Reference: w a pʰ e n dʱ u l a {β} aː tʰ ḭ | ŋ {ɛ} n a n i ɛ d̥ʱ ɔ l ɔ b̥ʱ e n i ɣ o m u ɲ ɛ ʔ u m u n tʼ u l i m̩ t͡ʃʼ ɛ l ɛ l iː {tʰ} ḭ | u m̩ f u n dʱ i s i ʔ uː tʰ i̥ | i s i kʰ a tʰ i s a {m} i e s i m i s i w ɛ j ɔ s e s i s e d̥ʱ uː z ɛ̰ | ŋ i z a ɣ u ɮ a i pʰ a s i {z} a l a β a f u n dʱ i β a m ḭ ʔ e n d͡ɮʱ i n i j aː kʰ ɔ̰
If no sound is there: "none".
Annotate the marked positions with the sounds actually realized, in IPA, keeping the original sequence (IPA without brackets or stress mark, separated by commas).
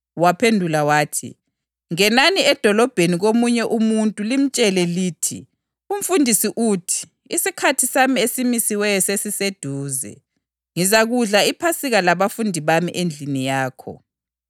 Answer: w, ɛ, tʰ, m, ɣ